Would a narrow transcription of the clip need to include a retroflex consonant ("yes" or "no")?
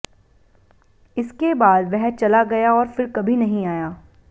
no